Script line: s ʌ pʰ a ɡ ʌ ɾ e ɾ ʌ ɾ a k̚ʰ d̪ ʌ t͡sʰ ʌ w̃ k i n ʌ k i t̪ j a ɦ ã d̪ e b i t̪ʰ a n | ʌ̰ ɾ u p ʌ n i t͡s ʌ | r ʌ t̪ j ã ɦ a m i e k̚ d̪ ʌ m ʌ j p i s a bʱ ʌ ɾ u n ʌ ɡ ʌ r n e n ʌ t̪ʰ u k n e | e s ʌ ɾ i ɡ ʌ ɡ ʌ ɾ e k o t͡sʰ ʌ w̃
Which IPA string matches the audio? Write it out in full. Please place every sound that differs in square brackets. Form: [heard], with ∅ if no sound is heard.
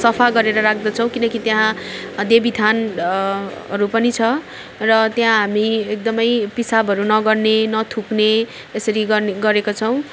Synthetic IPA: s ʌ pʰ a ɡ ʌ ɾ e ɾ ʌ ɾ a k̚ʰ d̪ ʌ t͡sʰ ʌ w̃ k i n ʌ k i t̪ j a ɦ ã d̪ e b i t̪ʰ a n | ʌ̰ ɾ u p ʌ n i [t͡sʰ] ʌ | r ʌ t̪ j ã ɦ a m i e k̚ d̪ ʌ m ʌ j p i s a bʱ ʌ ɾ u n ʌ ɡ ʌ r n e n ʌ t̪ʰ u k n e | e s ʌ ɾ i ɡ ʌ ɡ ʌ ɾ e k o t͡sʰ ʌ w̃